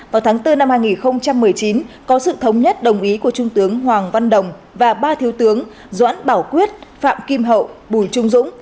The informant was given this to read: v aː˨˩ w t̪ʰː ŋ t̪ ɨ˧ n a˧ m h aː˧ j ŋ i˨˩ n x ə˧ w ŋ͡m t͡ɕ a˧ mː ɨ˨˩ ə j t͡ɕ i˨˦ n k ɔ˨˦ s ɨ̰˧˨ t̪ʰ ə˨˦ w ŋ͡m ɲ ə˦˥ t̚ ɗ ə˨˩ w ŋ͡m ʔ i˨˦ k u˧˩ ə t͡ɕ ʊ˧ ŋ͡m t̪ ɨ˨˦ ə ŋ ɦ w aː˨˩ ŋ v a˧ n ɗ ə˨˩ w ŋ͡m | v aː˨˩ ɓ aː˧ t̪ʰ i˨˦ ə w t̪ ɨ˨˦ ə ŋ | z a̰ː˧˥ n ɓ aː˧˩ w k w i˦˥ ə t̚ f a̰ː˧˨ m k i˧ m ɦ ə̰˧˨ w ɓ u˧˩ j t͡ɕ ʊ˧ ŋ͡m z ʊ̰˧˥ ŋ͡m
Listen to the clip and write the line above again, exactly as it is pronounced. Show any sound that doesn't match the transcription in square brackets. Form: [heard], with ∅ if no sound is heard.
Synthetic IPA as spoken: v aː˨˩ w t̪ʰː ŋ t̪ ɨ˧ n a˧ m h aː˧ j ŋ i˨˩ n x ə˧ w ŋ͡m t͡ɕ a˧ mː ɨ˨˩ ə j t͡ɕ i˨˦ n k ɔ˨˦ s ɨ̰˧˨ t̪ʰ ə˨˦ w ŋ͡m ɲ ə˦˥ t̚ ɗ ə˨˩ w ŋ͡m ʔ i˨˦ k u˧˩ ə t͡ɕ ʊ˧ ŋ͡m t̪ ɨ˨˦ ə ŋ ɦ w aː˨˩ ŋ v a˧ n ɗ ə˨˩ w ŋ͡m | v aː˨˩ ɓ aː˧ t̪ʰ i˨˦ ə w t̪ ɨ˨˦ ə ŋ | z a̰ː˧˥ n ɓ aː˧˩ w k w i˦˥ ə t̚ f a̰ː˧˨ m k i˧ m ɦ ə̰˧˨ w ɓ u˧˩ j t͡ɕ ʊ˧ ŋ͡m z ʊ̰˧˥ ŋ͡m